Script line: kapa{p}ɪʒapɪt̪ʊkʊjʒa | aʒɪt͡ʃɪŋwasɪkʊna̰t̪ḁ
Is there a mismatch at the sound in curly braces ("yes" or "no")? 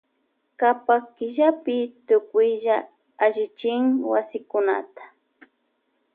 yes